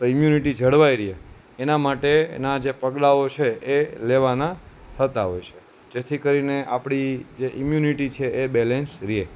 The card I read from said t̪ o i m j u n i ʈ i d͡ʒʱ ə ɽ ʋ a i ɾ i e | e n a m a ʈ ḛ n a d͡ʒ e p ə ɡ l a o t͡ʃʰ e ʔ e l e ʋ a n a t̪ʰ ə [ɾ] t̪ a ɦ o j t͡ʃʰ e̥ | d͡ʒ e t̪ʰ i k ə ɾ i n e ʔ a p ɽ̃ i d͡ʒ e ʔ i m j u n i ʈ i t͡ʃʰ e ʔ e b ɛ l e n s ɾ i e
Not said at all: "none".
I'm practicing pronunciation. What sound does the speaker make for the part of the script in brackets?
none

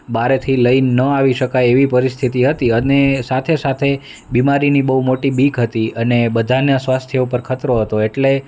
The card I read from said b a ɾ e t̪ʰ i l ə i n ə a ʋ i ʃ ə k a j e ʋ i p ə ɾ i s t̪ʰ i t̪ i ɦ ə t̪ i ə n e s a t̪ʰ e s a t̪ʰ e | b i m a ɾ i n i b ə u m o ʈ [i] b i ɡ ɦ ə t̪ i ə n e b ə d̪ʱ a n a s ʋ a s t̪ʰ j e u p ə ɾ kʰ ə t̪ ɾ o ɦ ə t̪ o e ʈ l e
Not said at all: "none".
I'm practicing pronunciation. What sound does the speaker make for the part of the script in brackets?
i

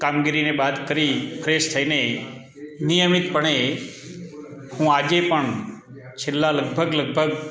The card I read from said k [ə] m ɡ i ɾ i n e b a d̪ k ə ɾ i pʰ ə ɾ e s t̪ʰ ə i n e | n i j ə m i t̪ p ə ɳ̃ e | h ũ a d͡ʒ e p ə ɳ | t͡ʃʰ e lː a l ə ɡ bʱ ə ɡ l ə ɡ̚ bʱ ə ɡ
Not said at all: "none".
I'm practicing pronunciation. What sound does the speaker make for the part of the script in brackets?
a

